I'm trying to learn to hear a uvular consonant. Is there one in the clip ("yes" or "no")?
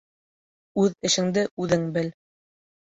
no